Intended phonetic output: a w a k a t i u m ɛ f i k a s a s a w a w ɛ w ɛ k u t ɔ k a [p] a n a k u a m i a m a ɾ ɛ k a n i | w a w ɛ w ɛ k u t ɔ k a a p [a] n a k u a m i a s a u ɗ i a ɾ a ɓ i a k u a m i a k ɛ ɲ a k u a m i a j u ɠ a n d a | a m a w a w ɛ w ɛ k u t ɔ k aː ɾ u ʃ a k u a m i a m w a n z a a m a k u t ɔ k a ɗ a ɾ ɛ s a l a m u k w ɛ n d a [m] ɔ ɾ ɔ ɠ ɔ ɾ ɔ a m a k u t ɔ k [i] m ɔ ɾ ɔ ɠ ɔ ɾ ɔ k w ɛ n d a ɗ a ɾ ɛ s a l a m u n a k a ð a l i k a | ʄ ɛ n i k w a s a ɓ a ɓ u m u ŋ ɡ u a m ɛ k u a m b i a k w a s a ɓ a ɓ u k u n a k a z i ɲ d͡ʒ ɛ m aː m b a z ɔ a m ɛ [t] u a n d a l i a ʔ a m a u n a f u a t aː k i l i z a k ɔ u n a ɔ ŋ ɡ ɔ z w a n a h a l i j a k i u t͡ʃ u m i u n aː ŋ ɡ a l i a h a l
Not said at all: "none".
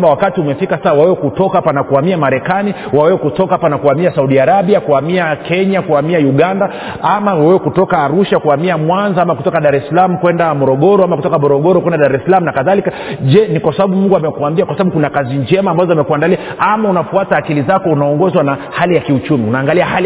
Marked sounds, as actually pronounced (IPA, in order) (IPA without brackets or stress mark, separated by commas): p, a, m, a, k